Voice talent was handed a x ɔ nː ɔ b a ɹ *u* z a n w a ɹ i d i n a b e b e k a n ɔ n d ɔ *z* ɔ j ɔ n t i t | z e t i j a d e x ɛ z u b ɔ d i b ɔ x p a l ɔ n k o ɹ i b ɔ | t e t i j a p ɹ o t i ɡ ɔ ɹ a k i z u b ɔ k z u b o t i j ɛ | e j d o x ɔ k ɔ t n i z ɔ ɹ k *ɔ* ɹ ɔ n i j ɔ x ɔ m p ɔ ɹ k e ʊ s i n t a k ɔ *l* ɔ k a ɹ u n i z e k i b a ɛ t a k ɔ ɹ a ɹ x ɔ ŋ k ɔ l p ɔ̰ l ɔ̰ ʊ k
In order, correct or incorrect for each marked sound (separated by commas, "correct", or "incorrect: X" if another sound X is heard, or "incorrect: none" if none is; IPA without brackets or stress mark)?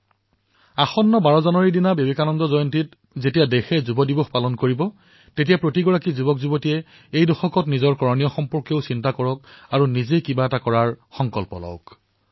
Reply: incorrect: ɔ, correct, correct, incorrect: ɹ